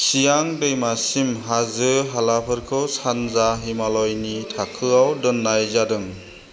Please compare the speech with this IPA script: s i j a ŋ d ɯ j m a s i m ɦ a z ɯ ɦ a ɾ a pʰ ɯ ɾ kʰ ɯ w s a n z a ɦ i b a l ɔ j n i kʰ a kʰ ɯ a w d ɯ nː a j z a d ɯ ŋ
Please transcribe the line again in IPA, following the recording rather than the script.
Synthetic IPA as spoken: s i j a ŋ d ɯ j m a s i m ɦ a z ɯ ɦ a l a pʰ ɯ ɾ kʰ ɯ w s a n z a ɦ i m a l ɔ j n i tʰ a kʰ ɯ a w d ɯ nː a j z a d ɯ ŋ